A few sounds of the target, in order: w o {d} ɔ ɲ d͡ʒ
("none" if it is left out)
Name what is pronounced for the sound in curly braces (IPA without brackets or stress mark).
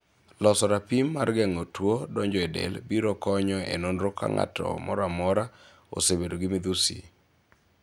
d